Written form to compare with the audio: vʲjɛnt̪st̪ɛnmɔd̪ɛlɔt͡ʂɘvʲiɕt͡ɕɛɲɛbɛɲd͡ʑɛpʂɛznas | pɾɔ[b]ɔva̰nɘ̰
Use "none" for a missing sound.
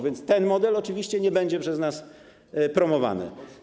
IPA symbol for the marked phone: m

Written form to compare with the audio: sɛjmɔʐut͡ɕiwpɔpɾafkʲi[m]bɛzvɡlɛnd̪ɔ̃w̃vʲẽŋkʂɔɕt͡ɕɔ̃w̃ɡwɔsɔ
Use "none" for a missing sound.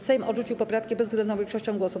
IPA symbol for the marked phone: none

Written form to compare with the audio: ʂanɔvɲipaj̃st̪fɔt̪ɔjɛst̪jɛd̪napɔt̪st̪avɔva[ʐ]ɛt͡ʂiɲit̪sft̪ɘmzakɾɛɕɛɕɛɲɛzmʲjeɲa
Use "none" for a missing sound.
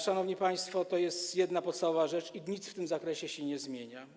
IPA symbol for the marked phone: ʐ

